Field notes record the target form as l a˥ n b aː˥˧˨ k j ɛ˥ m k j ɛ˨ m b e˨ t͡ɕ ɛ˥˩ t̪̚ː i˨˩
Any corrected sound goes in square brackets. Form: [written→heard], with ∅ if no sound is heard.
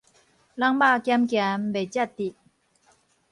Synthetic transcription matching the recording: l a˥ [n→ŋ] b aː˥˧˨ k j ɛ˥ m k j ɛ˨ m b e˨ t͡ɕ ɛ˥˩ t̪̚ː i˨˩